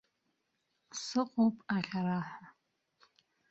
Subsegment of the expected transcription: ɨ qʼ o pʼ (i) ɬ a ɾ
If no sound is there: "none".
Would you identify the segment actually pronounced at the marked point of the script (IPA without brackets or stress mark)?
a